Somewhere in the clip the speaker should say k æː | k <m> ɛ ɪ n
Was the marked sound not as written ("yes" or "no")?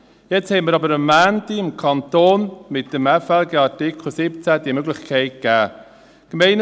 no